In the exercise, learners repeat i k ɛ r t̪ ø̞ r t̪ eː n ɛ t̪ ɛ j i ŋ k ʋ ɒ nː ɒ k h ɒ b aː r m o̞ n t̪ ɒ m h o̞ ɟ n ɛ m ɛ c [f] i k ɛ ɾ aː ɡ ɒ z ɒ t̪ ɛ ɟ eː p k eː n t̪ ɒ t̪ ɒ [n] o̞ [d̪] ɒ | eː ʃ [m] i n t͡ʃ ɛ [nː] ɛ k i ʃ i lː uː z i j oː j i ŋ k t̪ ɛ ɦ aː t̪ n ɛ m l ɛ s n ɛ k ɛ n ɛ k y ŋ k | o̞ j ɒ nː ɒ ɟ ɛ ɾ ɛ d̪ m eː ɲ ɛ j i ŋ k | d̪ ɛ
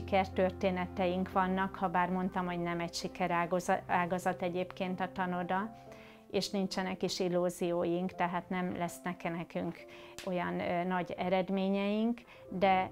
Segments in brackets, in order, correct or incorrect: incorrect, correct, correct, incorrect, incorrect

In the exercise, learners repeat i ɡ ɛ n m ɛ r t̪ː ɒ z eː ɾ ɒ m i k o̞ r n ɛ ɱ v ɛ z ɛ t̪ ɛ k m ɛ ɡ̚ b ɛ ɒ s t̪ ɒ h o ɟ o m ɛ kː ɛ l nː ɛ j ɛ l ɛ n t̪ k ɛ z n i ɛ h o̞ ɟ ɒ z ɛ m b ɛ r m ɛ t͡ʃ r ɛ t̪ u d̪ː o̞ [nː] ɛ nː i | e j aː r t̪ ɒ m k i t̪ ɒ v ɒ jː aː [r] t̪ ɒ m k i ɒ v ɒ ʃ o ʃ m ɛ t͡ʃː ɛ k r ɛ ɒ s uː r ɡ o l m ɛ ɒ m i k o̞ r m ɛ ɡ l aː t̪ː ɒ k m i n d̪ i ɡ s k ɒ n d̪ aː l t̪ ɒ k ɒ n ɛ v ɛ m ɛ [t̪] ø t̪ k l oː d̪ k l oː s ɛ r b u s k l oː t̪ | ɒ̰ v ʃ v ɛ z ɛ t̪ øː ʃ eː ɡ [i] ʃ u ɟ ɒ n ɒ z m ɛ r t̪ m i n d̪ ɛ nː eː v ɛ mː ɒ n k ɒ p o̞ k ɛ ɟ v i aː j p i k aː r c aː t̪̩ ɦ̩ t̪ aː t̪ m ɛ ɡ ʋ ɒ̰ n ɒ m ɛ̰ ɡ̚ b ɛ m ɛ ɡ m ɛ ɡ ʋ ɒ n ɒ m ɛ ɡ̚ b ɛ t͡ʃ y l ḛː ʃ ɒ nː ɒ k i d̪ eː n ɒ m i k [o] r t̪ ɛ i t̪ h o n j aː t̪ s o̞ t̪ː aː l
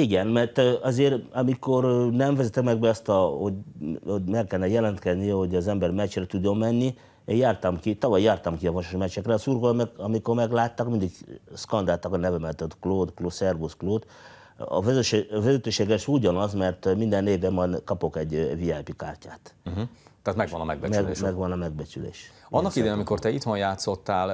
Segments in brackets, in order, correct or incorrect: incorrect, correct, correct, incorrect, correct

